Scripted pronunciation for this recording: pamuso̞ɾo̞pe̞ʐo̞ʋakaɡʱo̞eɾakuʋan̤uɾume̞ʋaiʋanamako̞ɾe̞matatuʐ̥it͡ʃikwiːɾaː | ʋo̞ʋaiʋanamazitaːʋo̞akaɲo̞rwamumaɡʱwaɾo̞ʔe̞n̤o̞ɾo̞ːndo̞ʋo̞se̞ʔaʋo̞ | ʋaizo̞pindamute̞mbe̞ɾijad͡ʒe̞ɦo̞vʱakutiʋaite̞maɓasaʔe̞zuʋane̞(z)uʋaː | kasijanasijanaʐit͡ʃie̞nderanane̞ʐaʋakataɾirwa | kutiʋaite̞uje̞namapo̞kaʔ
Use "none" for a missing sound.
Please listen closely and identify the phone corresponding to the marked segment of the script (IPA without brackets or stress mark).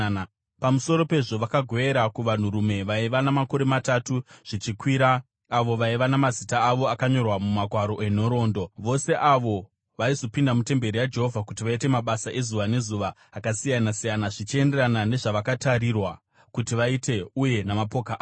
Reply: z